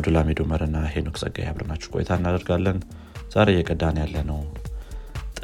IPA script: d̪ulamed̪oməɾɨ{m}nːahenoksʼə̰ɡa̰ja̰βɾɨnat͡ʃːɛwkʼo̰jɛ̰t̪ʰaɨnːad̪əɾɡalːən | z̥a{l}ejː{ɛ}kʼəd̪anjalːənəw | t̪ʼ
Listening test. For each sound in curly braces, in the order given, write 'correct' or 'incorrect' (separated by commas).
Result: incorrect, incorrect, correct